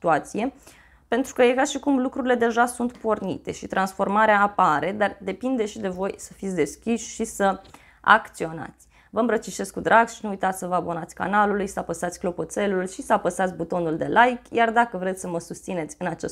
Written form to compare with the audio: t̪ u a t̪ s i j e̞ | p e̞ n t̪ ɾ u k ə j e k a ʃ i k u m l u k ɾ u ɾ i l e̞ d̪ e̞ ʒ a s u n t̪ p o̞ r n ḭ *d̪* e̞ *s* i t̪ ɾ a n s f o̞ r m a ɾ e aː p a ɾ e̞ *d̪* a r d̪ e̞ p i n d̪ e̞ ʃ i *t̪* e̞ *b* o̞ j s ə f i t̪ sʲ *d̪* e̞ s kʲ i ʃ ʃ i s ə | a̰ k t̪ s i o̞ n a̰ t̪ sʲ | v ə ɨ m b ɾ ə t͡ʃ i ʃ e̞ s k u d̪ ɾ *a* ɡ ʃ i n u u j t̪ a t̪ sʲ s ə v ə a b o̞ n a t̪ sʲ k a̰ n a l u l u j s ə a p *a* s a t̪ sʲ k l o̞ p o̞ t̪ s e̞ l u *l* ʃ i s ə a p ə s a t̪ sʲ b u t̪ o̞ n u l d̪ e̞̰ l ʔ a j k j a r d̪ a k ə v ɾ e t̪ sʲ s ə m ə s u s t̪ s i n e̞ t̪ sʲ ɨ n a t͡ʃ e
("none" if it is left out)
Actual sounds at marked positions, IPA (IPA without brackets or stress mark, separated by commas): t̪, ʃ, d̪, d̪, v, d̪, a, ə, l